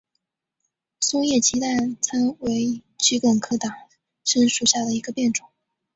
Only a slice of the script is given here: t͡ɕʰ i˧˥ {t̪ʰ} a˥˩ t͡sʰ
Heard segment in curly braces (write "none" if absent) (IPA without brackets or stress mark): t̪